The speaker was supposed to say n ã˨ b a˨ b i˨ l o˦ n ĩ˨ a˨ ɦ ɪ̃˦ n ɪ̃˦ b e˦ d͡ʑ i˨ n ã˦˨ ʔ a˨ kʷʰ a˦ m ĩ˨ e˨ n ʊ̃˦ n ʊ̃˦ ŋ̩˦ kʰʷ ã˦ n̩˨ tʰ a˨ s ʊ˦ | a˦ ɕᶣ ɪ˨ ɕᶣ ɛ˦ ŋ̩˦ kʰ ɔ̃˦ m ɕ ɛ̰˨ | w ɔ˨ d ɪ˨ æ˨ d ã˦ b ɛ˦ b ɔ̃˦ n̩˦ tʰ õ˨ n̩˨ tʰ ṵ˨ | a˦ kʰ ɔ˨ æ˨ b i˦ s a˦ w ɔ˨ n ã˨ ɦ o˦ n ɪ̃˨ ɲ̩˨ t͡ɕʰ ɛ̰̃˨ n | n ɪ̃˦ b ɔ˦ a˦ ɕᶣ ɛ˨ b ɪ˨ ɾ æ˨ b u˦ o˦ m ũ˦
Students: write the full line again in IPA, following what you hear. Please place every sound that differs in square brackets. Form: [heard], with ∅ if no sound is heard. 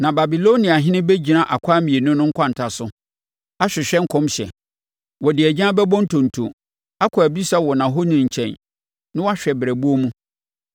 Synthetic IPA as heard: n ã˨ b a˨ b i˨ l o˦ n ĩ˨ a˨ ɦ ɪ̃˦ n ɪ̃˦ b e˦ d͡ʑ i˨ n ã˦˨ ʔ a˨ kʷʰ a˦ m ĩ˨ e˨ n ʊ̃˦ n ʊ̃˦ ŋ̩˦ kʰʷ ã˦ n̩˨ tʰ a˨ s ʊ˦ | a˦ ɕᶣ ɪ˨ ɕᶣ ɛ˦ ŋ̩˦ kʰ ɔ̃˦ m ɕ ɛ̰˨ | w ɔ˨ d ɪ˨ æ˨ [d͡ʑ] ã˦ b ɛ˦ b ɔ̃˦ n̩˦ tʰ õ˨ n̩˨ tʰ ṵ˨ | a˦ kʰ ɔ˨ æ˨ b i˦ s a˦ w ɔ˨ n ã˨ ɦ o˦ n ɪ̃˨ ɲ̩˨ t͡ɕʰ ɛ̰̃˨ n | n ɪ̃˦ [w] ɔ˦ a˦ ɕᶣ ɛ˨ b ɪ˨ ɾ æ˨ b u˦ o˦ m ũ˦